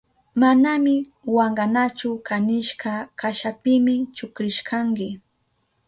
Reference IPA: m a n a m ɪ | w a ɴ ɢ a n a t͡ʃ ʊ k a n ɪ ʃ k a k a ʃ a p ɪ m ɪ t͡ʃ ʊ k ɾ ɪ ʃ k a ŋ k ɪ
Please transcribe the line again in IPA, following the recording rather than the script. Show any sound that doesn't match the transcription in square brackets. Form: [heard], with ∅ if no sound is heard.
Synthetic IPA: m a n a m ɪ | w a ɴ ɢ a n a t͡ʃ ʊ k a n ɪ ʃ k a k a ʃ a p ɪ m ɪ t͡ʃ ʊ k ɾ ɪ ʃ k a ŋ k ɪ